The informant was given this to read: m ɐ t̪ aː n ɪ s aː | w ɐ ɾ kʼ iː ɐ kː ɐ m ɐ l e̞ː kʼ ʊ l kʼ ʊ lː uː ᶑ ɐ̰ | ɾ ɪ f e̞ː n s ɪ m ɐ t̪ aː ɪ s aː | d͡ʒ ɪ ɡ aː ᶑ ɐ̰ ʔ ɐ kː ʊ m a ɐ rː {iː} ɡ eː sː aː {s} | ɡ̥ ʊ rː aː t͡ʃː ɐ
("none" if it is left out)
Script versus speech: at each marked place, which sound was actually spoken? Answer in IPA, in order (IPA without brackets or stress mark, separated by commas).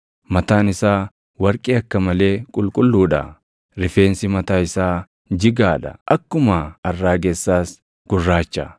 aː, s